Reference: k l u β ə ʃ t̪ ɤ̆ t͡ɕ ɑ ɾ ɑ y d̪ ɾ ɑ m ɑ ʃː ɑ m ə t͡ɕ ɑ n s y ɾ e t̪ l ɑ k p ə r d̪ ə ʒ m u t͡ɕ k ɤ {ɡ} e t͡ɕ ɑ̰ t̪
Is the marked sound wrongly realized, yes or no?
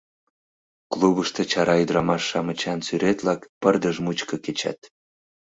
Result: yes